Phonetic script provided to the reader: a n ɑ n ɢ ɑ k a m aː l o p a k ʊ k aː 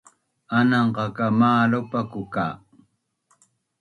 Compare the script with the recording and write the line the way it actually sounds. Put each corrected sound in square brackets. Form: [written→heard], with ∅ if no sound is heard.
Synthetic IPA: a n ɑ [n→ɴ] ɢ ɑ k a m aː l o p a k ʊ k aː

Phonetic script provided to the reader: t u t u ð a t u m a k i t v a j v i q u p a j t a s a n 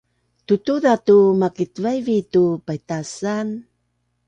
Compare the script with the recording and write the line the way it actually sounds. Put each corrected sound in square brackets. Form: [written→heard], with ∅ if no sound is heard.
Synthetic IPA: t u t u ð a t u m a k i t v a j v i [q→t] u p a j t a s a n

